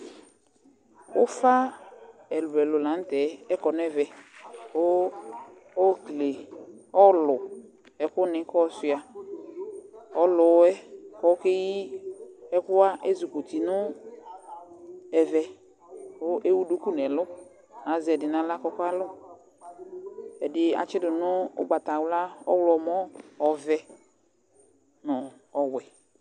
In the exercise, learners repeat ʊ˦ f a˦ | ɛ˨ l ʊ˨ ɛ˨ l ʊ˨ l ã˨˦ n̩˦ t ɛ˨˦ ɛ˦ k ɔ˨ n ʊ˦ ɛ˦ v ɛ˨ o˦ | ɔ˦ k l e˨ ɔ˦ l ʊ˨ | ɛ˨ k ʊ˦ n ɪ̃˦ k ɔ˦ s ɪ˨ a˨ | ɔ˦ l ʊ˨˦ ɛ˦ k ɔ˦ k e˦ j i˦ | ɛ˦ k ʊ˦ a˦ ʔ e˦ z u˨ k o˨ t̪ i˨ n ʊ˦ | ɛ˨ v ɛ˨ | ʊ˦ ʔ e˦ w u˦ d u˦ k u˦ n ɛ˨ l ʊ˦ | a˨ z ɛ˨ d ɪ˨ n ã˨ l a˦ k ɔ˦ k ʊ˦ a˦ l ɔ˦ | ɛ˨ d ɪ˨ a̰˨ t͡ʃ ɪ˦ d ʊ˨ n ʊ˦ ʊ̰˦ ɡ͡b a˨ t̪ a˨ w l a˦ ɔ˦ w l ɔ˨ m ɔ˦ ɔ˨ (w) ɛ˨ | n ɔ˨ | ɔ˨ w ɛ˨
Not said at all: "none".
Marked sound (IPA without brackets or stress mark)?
v